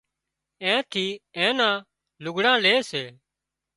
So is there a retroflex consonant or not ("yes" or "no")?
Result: yes